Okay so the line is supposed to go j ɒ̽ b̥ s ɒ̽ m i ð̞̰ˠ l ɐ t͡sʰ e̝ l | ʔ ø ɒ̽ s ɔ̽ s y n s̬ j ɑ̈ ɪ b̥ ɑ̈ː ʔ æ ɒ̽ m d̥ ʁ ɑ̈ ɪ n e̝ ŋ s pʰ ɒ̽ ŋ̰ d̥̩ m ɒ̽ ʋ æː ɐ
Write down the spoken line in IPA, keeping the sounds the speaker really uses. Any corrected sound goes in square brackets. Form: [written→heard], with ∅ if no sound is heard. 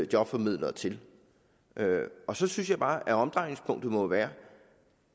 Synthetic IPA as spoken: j ɒ̽ b̥ [s→f] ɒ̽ m i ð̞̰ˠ l ɐ t͡sʰ e̝ l | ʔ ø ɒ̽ s [ɔ̽→ɒ̽] s y n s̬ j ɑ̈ ɪ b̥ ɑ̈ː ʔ æ ɒ̽ m d̥ ʁ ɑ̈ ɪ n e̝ ŋ s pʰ [ɒ̽→ɔ̽] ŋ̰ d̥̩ m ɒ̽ ʋ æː ɐ